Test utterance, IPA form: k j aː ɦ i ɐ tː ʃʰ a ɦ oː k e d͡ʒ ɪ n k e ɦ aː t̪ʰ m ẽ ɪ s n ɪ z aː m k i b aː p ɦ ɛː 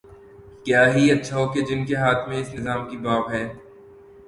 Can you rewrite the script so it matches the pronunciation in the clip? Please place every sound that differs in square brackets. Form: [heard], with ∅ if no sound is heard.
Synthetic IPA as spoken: k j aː ɦ i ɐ tː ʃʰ a ɦ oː k e d͡ʒ ɪ n k e ɦ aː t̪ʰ m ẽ ɪ s n ɪ z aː m k i b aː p ɦ ɛː